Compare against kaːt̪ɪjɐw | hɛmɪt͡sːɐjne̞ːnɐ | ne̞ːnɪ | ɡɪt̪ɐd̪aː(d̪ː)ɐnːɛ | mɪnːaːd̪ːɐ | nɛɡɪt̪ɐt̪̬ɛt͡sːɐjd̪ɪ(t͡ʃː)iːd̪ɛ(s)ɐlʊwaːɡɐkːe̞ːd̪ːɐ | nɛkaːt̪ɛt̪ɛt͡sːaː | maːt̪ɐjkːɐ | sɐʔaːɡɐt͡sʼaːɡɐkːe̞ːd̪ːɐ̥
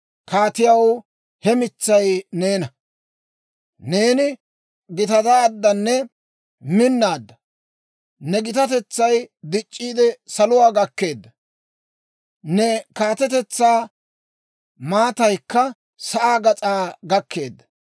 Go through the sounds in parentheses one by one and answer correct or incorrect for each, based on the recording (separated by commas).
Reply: correct, incorrect, correct